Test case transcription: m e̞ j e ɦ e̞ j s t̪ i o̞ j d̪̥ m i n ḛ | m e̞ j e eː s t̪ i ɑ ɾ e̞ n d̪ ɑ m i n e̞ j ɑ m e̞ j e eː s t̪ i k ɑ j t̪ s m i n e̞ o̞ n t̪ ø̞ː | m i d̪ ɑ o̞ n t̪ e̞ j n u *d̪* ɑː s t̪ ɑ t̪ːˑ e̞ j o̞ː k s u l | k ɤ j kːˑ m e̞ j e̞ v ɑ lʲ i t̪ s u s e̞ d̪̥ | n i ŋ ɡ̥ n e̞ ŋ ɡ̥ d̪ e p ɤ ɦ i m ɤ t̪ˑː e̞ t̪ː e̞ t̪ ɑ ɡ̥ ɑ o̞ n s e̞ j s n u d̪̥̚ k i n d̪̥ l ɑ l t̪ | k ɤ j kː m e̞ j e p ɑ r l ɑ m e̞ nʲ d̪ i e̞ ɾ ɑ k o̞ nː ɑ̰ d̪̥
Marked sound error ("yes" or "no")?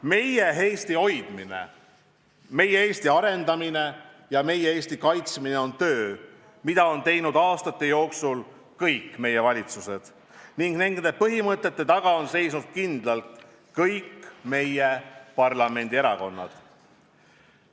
no